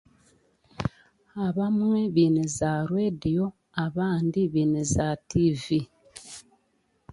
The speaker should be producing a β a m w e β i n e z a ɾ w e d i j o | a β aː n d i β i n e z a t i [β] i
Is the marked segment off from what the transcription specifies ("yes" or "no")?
yes